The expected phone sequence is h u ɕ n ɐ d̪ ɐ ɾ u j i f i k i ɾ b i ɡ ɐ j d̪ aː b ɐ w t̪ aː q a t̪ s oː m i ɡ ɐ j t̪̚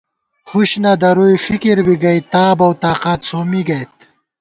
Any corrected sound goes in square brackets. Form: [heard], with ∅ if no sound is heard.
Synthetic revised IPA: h u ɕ n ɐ d̪ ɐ ɾ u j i f i k i ɾ b i ɡ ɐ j [t̪] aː b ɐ w t̪ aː q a t̪ s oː m i ɡ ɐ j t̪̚

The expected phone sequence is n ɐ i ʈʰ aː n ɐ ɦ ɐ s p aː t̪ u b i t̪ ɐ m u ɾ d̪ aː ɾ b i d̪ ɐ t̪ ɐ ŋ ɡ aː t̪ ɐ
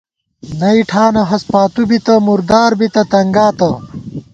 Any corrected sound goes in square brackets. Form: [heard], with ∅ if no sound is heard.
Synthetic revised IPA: n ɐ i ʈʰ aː n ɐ ɦ ɐ s p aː t̪ u b i t̪ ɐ m u ɾ d̪ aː ɾ b i [t̪] ɐ t̪ ɐ ŋ ɡ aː t̪ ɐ

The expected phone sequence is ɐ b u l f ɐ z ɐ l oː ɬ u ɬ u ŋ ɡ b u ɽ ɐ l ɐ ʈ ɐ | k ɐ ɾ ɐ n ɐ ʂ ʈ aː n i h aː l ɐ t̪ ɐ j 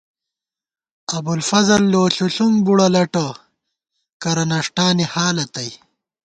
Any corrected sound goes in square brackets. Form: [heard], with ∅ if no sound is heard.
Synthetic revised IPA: ɐ b u l f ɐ z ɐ [lː] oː ɬ u ɬ u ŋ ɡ b u ɽ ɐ l ɐ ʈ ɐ | k ɐ ɾ ɐ n ɐ ʂ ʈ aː n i h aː l ɐ t̪ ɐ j

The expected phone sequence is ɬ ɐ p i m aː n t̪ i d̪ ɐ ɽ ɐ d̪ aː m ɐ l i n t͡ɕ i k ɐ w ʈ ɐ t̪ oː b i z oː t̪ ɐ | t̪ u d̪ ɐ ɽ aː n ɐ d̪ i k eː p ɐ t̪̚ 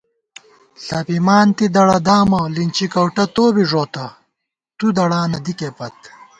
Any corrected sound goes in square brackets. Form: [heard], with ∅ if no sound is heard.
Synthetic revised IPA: ɬ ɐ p i m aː n t̪ i d̪ ɐ ɽ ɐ d̪ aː m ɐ l i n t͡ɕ i k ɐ w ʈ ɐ t̪ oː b i [ʐ] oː t̪ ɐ | t̪ u d̪ ɐ ɽ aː n ɐ d̪ i k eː p ɐ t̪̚

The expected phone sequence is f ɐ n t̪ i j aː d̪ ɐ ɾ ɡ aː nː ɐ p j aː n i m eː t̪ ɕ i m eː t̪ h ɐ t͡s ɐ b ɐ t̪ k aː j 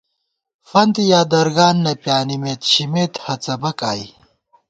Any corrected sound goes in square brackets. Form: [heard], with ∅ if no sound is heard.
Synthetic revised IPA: f ɐ n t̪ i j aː d̪ ɐ ɾ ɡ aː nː ɐ p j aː n i m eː t̪ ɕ i m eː t̪ h ɐ t͡s ɐ b ɐ [∅] k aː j

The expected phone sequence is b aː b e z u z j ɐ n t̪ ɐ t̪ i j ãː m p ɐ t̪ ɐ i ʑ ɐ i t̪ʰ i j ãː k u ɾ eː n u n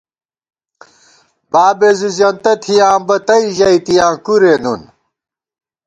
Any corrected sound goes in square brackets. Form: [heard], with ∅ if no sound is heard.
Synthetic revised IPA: b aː b e z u z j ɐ n t̪ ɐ [t̪ʰ] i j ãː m [b] ɐ t̪ ɐ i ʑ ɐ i [t̪] i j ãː k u ɾ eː n u n

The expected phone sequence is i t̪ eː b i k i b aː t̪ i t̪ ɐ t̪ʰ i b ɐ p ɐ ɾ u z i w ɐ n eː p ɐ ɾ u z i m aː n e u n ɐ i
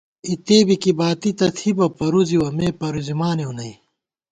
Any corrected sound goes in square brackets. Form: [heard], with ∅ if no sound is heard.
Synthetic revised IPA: i t̪ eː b i k i b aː t̪ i t̪ ɐ t̪ʰ i b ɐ p ɐ ɾ u z i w ɐ [m] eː p ɐ ɾ u z i m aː n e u n ɐ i

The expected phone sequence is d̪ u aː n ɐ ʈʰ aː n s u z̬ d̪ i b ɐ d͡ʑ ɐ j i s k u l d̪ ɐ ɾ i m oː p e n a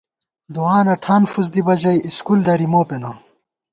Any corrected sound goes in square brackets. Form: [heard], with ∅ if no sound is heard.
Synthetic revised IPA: d̪ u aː n ɐ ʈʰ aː n [f] u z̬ d̪ i b ɐ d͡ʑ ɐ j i s k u l d̪ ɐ ɾ i m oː p e n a

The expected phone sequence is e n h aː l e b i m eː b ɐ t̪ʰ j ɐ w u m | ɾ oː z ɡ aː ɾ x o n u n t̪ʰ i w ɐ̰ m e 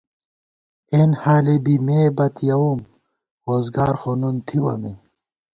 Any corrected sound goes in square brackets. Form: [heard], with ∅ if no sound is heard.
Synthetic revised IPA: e n h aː l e b i m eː b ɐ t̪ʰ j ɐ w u m | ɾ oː z ɡ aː ɾ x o n u n t̪ʰ i w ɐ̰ m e

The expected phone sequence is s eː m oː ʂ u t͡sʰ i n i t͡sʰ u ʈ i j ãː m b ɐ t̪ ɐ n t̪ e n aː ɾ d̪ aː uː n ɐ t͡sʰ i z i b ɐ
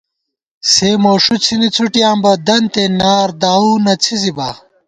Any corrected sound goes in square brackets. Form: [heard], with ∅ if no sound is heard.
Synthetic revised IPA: s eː m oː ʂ u t͡sʰ i n i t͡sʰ u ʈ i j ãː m b ɐ [d̪] ɐ n t̪ e n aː ɾ d̪ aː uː n ɐ t͡sʰ i z i b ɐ

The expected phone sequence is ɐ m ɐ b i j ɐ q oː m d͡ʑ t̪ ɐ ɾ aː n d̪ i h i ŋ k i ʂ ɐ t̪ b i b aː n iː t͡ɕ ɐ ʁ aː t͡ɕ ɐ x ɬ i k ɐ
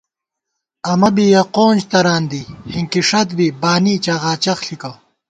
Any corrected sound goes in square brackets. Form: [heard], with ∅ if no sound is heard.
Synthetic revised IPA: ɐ m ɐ b i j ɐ q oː [n] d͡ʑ t̪ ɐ ɾ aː n d̪ i h i ŋ k i ʂ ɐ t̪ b i b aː n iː t͡ɕ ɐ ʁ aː t͡ɕ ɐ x ɬ i k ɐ

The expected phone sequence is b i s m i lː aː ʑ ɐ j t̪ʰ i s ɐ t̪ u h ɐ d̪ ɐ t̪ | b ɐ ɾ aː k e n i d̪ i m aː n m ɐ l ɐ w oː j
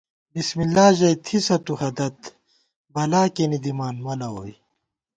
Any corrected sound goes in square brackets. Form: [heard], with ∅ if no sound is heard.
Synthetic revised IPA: b i s m i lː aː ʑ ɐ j t̪ʰ i s ɐ t̪ u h ɐ d̪ ɐ t̪ | b ɐ [l] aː k e n i d̪ i m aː n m ɐ l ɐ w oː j

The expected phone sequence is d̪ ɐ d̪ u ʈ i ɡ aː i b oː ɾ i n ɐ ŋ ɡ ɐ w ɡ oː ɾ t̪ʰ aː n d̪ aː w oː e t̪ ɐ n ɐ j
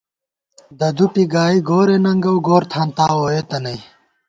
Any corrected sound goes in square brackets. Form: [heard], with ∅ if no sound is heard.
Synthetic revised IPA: d̪ ɐ d̪ u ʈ i ɡ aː i [ɡ] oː ɾ [e] n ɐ ŋ ɡ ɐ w ɡ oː ɾ t̪ʰ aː n [t̪] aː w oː e t̪ ɐ n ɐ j

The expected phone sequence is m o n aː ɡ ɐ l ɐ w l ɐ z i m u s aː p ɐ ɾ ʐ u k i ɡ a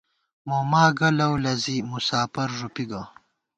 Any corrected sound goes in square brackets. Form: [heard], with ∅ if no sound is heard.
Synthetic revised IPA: m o [m] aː ɡ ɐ l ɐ w l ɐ z i m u s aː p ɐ ɾ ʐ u [p] i ɡ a

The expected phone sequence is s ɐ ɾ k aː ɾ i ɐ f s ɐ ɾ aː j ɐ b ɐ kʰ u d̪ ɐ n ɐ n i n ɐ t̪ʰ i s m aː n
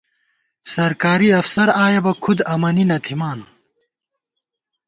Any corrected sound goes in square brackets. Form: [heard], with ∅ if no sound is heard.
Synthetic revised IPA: s ɐ ɾ k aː ɾ i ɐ f s ɐ ɾ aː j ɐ b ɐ kʰ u d̪ ɐ [m] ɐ n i n ɐ t̪ʰ i [∅] m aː n

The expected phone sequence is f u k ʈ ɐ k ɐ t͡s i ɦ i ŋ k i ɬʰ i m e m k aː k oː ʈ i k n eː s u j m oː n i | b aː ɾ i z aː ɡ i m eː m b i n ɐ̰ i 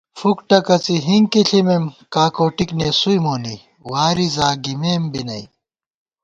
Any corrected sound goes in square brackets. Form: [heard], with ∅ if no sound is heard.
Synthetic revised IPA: f u k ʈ ɐ k ɐ t͡s i ɦ i ŋ k i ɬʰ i m e m k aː k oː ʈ i k n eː s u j m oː n i | [w] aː ɾ i z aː ɡ i m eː m b i n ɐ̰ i

